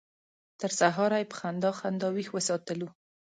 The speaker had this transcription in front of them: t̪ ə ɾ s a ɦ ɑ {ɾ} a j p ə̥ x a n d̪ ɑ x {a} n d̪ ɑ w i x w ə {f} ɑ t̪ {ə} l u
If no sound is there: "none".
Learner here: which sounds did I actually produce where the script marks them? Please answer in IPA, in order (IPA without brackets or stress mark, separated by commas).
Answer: ɾ, a, s, ə